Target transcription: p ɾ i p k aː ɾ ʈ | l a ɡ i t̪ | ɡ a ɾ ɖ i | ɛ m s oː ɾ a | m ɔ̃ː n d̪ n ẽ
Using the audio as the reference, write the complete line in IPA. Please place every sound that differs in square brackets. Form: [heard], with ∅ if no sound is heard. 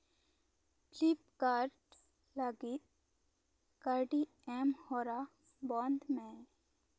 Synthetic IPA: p [l] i p k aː ɾ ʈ | l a ɡ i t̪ | [k] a ɾ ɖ i | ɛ m [h] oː ɾ a | [b] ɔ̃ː n d̪ [m] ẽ

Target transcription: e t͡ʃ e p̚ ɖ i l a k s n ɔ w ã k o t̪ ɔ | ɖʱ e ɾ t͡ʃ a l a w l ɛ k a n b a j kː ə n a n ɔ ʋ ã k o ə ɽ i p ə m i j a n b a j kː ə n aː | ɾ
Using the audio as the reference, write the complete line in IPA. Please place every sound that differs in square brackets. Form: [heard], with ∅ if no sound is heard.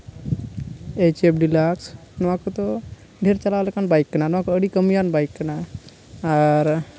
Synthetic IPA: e t͡ʃ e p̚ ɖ i l a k s n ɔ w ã k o t̪ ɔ | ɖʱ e ɾ t͡ʃ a l a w l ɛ k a n b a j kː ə n a n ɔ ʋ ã k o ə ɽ i [k] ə m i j a n b a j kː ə n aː | ɾ

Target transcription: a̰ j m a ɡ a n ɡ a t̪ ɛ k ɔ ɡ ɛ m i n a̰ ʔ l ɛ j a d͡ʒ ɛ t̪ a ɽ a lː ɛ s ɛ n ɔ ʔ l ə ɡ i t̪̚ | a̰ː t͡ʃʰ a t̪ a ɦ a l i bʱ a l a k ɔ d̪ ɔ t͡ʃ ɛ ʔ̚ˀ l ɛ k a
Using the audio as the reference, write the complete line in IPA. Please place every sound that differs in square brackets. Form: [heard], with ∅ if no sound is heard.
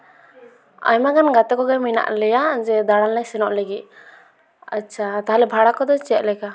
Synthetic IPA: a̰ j m a ɡ a n ɡ a t̪ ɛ k ɔ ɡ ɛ m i n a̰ ʔ l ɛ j a d͡ʒ ɛ [d̪] a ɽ a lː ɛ s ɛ n ɔ ʔ l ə ɡ i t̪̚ | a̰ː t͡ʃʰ a t̪ a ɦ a l [ɛ] bʱ a [ɽ] a k ɔ d̪ ɔ t͡ʃ ɛ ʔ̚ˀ l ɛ k a

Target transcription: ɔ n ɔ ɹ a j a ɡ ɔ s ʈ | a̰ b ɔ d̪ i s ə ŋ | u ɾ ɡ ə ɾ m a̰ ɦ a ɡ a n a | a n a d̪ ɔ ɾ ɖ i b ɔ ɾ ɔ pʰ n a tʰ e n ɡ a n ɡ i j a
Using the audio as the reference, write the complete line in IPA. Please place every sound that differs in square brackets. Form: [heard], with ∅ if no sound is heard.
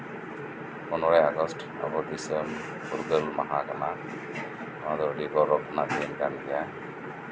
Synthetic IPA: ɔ n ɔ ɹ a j a ɡ ɔ s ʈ | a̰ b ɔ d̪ i s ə [m] | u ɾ ɡ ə [l] m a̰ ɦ a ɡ a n a | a [m] a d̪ ɔ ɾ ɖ i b ɔ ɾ ɔ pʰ n a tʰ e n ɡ a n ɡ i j a

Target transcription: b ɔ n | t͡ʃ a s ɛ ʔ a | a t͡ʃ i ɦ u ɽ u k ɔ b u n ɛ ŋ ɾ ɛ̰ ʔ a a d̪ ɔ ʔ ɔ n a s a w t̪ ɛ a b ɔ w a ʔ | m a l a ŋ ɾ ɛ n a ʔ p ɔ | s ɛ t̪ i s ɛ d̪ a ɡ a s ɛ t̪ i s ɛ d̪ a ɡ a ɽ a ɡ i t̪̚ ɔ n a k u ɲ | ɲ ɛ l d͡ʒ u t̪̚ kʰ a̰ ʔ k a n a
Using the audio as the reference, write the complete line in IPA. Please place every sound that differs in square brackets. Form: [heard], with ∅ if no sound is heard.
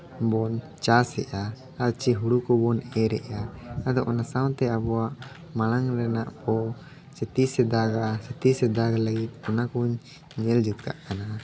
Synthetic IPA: b ɔ n | t͡ʃ a s ɛ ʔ a | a t͡ʃ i ɦ u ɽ u k ɔ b [ɔ] n ɛ [∅] ɾ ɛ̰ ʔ a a d̪ ɔ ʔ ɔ n a s a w t̪ ɛ a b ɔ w a ʔ | m a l a ŋ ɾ ɛ n a ʔ p ɔ | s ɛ t̪ i s ɛ d̪ a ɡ a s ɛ t̪ i s ɛ d̪ a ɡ a [l] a ɡ i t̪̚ ɔ n a k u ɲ | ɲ ɛ l d͡ʒ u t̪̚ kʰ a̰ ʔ k a n a

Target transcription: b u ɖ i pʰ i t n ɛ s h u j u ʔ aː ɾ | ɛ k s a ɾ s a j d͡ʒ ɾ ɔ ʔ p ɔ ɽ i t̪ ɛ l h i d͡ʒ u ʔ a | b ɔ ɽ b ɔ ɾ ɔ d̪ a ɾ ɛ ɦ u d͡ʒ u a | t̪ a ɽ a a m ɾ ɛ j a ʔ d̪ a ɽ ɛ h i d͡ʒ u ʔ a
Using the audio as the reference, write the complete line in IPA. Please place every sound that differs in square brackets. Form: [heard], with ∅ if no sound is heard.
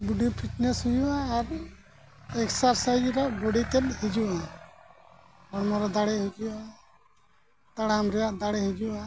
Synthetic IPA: b u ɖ i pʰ i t n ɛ s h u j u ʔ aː ɾ | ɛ k s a ɾ s a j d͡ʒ ɾ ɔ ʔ [b] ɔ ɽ i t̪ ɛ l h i d͡ʒ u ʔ a | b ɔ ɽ [m] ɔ ɾ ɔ d̪ a [ɽ] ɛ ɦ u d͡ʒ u a | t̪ a ɽ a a m ɾ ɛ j a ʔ d̪ a ɽ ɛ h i d͡ʒ u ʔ a

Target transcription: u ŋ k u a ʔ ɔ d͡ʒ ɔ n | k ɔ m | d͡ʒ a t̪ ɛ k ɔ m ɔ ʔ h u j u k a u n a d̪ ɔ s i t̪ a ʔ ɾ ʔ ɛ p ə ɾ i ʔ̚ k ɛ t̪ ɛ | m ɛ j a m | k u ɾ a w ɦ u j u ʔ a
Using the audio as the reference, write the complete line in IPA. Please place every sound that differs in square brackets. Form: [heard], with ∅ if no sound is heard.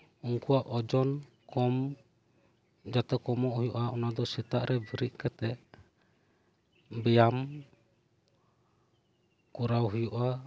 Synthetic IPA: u ŋ k u a ʔ ɔ d͡ʒ ɔ n | k ɔ m | d͡ʒ a t̪ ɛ k ɔ m ɔ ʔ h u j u [ʔ] a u n a d̪ ɔ s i t̪ a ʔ ɾ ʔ ɛ [b] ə ɾ i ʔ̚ k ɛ t̪ ɛ | [b] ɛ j a m | k u ɾ a w ɦ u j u ʔ a

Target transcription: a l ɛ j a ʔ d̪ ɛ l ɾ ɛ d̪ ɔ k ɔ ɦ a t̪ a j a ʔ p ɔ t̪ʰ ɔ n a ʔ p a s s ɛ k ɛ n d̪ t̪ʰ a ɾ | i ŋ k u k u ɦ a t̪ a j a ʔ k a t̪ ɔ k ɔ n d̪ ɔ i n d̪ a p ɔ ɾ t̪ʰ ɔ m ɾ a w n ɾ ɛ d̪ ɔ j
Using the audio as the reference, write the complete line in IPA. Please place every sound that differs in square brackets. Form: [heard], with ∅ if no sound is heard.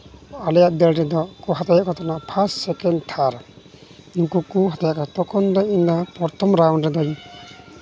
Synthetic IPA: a l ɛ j a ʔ d̪ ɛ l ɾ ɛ d̪ ɔ k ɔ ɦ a t̪ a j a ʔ [k] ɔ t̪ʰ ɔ n a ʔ [pʰ] a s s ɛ k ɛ n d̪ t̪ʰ a ɾ | i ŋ k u k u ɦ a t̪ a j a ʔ k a t̪ ɔ k ɔ n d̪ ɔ i n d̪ a p ɔ ɾ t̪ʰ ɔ m ɾ a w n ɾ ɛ d̪ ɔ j

